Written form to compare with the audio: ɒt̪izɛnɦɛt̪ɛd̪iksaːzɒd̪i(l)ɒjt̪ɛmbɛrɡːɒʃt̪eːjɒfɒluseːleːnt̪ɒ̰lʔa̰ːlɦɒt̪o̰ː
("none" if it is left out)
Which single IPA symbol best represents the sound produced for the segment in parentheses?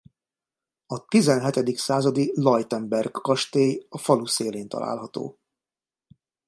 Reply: l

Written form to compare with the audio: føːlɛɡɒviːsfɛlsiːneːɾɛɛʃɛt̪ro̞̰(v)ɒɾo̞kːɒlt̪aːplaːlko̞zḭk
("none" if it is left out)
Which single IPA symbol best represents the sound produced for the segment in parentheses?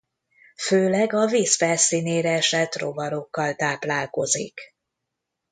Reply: v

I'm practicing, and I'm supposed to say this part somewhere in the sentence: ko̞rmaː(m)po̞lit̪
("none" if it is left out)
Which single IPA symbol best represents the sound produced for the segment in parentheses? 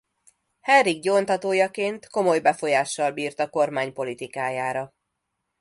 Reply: ɲ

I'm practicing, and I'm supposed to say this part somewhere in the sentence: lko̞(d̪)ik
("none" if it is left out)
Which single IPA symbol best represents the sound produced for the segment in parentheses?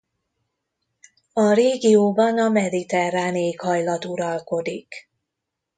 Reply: d̪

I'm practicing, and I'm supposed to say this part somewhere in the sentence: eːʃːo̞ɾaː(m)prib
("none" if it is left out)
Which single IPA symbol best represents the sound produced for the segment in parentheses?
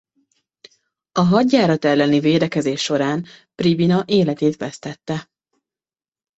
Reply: n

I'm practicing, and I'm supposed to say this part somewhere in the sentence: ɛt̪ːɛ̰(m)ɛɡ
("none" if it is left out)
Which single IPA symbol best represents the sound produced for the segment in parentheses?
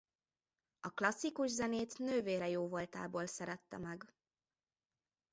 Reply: m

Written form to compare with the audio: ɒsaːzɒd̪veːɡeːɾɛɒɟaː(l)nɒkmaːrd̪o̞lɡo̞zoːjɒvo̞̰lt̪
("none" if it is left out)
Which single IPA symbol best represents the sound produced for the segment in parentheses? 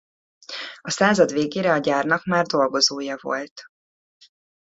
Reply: r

